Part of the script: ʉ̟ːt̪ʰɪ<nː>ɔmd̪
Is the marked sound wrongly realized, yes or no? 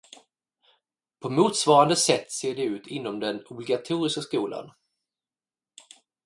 no